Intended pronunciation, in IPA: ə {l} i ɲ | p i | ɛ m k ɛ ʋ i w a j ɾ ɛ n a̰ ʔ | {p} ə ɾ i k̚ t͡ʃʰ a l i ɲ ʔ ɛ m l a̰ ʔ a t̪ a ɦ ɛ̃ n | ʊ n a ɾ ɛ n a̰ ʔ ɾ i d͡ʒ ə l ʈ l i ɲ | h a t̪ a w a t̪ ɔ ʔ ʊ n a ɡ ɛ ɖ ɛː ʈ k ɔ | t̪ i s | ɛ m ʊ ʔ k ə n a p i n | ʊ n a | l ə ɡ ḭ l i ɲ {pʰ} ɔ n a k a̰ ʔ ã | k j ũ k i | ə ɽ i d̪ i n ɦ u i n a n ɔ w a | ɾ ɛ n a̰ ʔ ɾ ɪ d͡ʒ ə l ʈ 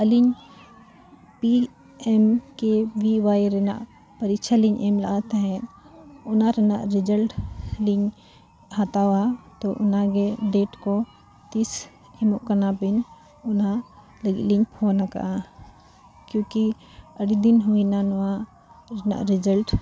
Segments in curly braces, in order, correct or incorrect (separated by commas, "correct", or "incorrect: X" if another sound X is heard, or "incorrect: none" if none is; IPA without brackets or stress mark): correct, correct, correct